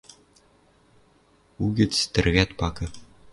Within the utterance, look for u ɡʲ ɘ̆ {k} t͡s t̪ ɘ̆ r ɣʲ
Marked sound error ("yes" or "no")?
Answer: yes